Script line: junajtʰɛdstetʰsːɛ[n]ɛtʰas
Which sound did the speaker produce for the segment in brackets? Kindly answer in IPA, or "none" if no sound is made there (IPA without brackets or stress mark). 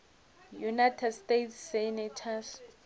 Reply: n